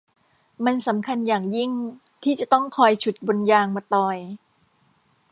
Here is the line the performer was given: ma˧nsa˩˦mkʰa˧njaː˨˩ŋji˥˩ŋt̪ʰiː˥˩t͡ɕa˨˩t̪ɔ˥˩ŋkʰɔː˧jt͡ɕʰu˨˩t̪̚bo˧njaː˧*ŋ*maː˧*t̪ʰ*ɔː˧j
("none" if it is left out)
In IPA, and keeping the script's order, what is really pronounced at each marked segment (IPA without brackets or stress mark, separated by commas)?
ŋ, t̪